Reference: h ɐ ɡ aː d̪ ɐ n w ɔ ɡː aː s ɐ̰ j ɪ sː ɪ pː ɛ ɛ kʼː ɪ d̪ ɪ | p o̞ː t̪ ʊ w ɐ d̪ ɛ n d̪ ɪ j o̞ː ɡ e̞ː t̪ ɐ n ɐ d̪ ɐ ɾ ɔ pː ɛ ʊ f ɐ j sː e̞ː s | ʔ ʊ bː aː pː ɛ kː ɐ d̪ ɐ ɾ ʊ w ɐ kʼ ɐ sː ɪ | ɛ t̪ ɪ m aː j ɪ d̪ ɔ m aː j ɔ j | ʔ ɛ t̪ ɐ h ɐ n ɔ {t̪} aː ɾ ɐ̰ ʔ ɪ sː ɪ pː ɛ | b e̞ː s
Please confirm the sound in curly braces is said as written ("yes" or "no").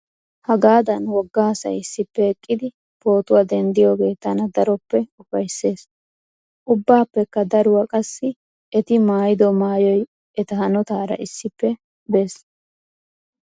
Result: yes